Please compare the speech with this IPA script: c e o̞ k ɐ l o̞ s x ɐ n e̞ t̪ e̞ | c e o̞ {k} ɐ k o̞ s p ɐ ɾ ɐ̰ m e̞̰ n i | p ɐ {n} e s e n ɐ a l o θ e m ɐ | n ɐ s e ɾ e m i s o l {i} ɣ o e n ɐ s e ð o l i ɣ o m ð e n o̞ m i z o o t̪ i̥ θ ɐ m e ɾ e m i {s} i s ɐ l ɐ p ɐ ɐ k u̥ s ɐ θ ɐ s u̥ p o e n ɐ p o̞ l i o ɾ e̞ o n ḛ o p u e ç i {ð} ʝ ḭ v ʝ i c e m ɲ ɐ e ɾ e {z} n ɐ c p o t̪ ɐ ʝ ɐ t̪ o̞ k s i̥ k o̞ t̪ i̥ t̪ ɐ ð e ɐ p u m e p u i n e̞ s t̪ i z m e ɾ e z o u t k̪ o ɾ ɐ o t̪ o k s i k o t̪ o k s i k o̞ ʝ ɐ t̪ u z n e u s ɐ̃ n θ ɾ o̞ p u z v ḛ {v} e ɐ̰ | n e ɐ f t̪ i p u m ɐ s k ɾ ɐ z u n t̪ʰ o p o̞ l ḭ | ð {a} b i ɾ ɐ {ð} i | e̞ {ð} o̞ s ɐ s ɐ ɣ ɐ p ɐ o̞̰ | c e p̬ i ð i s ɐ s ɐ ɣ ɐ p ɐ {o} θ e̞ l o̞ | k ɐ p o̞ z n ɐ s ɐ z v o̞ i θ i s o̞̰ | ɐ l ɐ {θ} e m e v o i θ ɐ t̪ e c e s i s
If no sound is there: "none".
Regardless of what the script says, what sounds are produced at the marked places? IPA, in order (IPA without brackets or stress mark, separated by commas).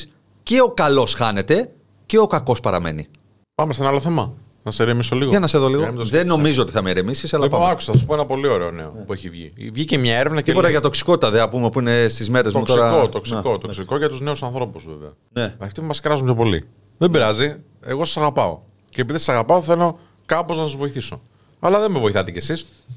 k, m, i, s, v, v, v, e, z, ɣ, o, ð